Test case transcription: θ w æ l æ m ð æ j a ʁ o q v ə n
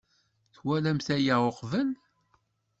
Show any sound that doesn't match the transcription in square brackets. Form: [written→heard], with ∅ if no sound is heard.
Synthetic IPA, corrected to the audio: θ w æ l æ m [ð→θ] æ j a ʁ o q v ə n